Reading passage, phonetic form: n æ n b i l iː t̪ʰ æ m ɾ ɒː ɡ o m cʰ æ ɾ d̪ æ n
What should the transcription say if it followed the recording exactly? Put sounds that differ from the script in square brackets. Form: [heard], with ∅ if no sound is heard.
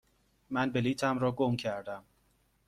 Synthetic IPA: [m] æ n b [e] l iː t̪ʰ æ m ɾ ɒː ɡ o m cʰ æ ɾ d̪ æ [m]